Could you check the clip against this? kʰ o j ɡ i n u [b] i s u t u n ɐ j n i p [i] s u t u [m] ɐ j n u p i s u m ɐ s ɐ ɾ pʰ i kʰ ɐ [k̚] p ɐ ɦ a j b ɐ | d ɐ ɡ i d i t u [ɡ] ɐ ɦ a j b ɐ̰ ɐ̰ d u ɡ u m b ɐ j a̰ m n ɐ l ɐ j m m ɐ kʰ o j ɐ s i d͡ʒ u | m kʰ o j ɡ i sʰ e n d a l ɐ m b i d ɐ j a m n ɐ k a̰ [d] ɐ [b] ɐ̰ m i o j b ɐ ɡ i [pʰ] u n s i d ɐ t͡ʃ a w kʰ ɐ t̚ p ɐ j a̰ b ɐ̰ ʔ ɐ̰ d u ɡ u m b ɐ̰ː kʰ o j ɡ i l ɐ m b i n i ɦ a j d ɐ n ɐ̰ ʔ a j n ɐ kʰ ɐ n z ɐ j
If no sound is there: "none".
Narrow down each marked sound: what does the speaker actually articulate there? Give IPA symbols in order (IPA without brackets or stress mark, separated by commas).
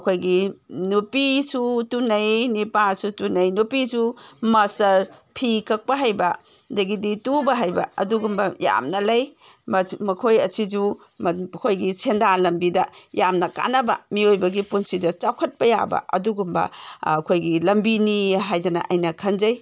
p, a, n, k̚, b, n, b, p